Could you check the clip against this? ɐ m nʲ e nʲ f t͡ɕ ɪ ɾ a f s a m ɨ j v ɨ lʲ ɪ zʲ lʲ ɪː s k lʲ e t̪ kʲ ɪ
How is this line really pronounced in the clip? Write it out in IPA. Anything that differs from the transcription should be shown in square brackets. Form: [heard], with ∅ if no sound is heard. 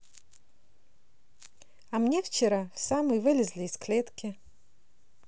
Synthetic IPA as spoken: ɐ m nʲ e [∅] f t͡ɕ ɪ ɾ a f s a m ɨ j v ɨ lʲ ɪ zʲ lʲ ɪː s k lʲ e t̪ kʲ ɪ